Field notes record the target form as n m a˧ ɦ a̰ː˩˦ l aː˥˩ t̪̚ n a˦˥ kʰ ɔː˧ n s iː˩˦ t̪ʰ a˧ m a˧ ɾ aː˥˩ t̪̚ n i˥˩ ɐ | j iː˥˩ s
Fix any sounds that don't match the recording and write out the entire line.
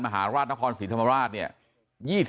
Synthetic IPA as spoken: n m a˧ ɦ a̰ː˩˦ ɾ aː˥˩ t̪̚ n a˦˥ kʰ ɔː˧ n s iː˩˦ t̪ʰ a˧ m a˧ ɾ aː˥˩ t̪̚ n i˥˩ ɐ | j iː˥˩ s